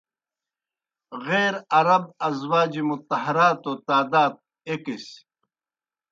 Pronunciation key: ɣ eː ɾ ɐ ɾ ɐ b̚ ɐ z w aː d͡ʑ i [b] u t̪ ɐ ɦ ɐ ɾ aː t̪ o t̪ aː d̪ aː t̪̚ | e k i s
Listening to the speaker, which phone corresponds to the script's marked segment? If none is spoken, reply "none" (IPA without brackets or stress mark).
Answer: m